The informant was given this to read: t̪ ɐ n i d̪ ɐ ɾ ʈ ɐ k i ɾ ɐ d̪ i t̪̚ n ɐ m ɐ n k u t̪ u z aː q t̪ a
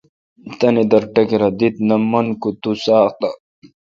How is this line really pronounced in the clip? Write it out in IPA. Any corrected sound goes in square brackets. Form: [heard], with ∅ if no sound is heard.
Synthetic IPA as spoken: t̪ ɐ n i d̪ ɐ ɾ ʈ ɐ k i ɾ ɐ d̪ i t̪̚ n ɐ m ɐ n k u t̪ u [s] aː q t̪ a